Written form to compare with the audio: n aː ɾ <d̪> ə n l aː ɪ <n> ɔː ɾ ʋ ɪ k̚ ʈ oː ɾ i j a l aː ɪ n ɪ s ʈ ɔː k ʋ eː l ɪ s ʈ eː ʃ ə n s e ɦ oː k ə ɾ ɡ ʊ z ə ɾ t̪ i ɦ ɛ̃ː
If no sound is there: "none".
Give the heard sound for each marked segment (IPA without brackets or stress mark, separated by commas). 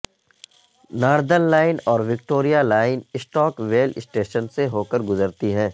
d̪, n